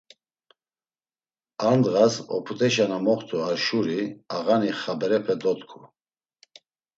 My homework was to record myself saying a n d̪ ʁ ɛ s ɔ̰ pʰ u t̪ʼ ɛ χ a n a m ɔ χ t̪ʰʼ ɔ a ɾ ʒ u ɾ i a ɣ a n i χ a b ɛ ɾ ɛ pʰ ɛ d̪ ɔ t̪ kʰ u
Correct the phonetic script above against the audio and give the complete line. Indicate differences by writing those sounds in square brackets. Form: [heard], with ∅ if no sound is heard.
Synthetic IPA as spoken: a n d̪ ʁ [a] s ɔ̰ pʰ u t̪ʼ ɛ [ʃ] a n a m ɔ χ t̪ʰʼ [u] a ɾ [ʃ] u ɾ i a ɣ a n i χ a b ɛ ɾ ɛ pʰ ɛ d̪ ɔ t̪ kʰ u